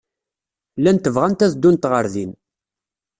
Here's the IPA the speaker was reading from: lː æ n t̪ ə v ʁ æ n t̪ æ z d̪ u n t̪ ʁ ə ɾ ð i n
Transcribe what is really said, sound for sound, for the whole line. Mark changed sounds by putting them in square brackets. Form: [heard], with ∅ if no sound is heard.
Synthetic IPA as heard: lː æ n t̪ ə v ʁ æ n t̪ æ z d̪ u n t̪ ʁ ə ɾ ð i n